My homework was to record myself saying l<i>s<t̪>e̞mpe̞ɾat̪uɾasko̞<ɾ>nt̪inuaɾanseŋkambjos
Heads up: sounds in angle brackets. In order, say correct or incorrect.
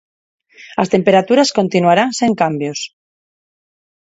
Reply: incorrect: a, correct, incorrect: none

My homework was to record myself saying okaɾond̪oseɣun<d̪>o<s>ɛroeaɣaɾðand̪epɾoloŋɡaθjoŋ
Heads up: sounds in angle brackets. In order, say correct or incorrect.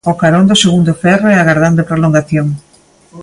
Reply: correct, incorrect: f

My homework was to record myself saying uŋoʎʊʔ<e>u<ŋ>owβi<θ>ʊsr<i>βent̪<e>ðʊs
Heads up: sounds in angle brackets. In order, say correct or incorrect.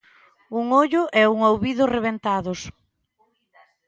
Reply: incorrect: ɛ, correct, incorrect: ð, incorrect: e, incorrect: a

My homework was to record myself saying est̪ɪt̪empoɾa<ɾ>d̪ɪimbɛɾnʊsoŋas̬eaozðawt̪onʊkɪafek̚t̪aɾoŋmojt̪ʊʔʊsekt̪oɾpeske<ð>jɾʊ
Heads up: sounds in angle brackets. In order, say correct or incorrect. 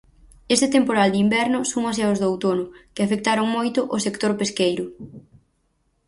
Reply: incorrect: l, incorrect: none

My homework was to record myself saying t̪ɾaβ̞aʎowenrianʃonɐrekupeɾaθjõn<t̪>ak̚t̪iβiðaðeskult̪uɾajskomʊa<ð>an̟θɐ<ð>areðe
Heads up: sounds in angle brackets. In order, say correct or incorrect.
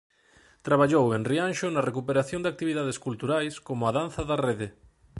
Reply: incorrect: d̪, correct, correct

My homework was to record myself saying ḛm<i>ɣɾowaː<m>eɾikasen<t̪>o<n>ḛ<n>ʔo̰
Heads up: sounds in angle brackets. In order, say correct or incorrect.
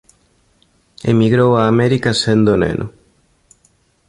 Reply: correct, correct, incorrect: d̪, correct, correct

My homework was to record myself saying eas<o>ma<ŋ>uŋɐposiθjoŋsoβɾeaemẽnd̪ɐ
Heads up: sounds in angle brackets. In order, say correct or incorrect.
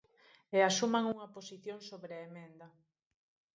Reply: incorrect: u, correct

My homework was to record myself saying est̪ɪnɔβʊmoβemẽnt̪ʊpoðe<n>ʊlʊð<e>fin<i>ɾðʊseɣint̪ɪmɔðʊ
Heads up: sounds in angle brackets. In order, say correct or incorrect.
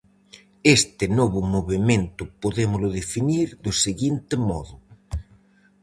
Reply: incorrect: m, correct, correct

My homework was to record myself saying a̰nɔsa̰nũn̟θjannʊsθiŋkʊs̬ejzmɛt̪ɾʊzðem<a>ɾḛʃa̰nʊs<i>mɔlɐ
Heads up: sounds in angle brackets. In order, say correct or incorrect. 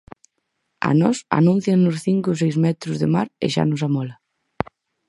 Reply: correct, incorrect: a

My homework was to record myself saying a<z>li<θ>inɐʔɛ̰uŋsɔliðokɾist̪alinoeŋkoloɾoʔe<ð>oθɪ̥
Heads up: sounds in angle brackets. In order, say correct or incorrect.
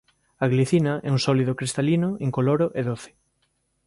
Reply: incorrect: ɣ, correct, correct

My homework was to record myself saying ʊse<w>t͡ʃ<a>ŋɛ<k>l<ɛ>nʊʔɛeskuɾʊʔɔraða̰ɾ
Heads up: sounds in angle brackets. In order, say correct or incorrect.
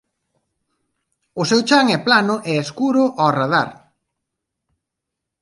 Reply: correct, correct, incorrect: p, incorrect: a

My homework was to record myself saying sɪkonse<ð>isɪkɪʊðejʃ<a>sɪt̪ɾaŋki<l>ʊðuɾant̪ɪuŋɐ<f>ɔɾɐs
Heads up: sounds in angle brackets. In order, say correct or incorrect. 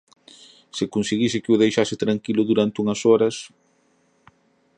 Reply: incorrect: ɣ, correct, correct, incorrect: s

